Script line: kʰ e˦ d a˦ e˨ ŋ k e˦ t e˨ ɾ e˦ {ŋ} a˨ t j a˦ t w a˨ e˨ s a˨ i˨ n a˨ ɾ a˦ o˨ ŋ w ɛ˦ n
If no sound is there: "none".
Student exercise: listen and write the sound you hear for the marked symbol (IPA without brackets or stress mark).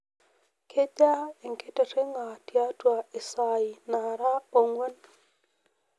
ŋ